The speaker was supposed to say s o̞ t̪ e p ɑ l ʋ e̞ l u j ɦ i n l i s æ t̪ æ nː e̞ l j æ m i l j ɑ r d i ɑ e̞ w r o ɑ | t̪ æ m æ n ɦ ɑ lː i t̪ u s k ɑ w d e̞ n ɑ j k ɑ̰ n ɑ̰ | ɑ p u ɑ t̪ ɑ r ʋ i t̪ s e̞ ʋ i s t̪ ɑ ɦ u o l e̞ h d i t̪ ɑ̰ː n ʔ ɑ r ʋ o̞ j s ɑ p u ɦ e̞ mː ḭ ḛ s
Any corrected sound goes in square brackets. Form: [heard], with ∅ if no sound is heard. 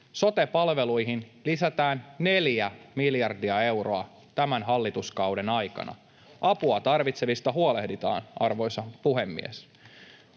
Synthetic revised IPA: s o̞ t̪ e p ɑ l ʋ e̞ l u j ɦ i n l i s æ t̪ [æː] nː e̞ l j æ m i l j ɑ r d i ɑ e̞ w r o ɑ | t̪ æ m æ n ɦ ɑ lː i t̪ u s k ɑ w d e̞ n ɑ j k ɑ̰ n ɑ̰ | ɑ p u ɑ t̪ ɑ r ʋ i t̪ s e̞ ʋ i s t̪ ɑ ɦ u o l e̞ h d i t̪ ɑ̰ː n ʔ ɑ r ʋ o̞ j s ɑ p u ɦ e̞ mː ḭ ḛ s